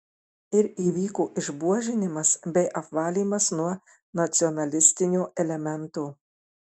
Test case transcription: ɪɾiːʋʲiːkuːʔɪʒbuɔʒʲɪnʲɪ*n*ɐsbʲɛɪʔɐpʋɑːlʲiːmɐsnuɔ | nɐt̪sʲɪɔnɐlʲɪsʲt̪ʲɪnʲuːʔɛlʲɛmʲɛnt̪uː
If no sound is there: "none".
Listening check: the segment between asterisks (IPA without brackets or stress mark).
m